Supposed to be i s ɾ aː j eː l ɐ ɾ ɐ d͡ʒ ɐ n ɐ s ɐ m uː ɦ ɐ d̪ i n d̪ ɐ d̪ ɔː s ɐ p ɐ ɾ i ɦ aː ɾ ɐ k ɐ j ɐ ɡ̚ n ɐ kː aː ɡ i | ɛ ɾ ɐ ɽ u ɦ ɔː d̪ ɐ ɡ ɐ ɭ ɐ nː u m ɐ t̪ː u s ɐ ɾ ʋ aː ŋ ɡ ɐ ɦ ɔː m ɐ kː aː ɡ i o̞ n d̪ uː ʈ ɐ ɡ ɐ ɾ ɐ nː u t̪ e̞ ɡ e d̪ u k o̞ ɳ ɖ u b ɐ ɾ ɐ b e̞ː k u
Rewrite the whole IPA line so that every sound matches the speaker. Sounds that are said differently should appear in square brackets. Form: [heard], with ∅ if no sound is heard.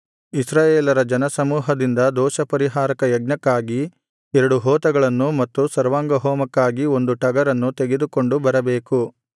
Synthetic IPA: i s ɾ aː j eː l ɐ ɾ ɐ d͡ʒ ɐ n ɐ s ɐ m uː ɦ ɐ d̪ i n d̪ ɐ d̪ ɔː [ʃ] ɐ p ɐ ɾ i ɦ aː ɾ ɐ k ɐ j ɐ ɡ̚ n ɐ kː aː ɡ i | ɛ ɾ ɐ ɽ u ɦ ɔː [t̪] ɐ ɡ ɐ ɭ ɐ nː u m ɐ t̪ː u s ɐ ɾ ʋ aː ŋ ɡ ɐ ɦ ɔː m ɐ kː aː ɡ i o̞ n d̪ [u] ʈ ɐ ɡ ɐ ɾ ɐ nː u t̪ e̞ ɡ e d̪ u k o̞ ɳ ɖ u b ɐ ɾ ɐ b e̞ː k u

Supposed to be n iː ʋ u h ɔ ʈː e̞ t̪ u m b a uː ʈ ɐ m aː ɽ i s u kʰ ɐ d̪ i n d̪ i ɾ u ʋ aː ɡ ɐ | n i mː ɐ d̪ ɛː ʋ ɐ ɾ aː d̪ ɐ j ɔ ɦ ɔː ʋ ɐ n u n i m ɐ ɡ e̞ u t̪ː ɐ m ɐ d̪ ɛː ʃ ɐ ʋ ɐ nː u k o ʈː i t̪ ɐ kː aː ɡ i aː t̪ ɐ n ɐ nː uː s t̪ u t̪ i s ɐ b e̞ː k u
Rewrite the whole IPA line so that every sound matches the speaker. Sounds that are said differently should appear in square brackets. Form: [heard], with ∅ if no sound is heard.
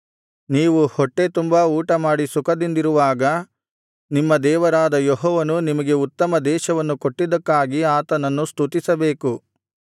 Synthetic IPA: n iː ʋ u h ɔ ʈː e̞ t̪ u m b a uː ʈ ɐ m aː ɽ i s u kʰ ɐ d̪ i n d̪ i ɾ u ʋ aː ɡ ɐ | n i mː ɐ d̪ ɛː ʋ ɐ ɾ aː d̪ ɐ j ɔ ɦ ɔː ʋ ɐ n u n i m ɐ ɡ e̞ u t̪ː ɐ m ɐ d̪ ɛː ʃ ɐ ʋ ɐ nː u k o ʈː i [d̪] ɐ kː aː ɡ i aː t̪ ɐ n ɐ nː [u] s t̪ u t̪ i s ɐ b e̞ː k u

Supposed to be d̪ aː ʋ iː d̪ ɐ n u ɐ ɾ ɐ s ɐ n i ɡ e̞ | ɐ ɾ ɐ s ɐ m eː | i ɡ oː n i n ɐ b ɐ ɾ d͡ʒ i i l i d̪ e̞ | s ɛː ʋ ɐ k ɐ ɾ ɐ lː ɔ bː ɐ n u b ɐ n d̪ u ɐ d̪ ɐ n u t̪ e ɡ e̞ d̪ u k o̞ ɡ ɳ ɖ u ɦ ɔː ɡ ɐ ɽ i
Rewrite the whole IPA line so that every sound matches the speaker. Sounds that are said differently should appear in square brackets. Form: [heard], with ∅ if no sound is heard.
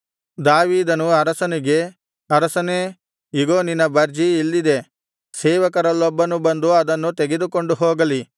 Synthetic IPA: d̪ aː ʋ iː d̪ ɐ n u ɐ ɾ ɐ s ɐ n i ɡ e̞ | ɐ ɾ ɐ s ɐ [n] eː | i ɡ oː n i n ɐ b ɐ ɾ d͡ʒ i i [lː] i d̪ e̞ | s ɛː ʋ ɐ k ɐ ɾ ɐ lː ɔ bː ɐ n u b ɐ n d̪ u ɐ d̪ ɐ [nː] u t̪ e ɡ e̞ d̪ u k o̞ [∅] ɳ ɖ u ɦ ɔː ɡ ɐ [l] i

